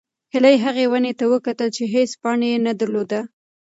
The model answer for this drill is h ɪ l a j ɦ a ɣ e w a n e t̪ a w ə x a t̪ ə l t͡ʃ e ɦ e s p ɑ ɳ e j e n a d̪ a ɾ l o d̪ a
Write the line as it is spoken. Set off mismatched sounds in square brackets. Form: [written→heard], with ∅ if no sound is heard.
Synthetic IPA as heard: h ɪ l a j ɦ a ɣ e w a n e t̪ a w ə [x→k] a t̪ ə l t͡ʃ e ɦ e s p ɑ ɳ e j e n a d̪ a ɾ l o d̪ a